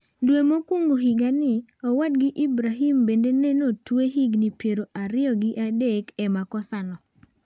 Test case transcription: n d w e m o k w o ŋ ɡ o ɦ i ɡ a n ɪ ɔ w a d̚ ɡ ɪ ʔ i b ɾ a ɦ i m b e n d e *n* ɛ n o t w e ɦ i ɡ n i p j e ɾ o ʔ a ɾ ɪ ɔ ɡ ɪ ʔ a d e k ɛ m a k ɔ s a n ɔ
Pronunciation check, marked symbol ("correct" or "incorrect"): correct